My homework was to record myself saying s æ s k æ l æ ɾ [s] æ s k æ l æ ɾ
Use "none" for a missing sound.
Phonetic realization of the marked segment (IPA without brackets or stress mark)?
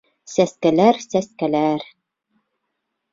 s